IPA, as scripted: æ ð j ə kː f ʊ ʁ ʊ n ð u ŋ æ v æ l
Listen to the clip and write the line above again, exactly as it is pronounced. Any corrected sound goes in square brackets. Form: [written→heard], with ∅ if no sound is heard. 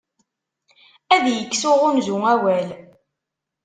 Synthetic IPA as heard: æ ð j ə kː [f→s] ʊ ʁ ʊ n [ð→z] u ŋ æ [v→w] æ l